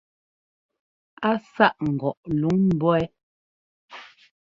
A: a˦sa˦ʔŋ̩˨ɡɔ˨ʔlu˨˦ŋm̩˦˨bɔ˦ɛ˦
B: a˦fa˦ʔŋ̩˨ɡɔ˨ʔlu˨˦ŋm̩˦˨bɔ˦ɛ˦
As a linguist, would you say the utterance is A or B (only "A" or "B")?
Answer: A